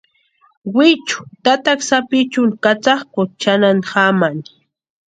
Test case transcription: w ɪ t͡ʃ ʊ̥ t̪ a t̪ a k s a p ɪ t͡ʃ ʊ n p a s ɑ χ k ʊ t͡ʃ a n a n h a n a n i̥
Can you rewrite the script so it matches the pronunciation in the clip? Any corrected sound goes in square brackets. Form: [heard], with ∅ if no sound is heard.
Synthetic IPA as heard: w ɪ t͡ʃ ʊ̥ t̪ a t̪ a k s a p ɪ t͡ʃ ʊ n [k] a [t͡s] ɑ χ k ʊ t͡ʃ a n a n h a [m] a n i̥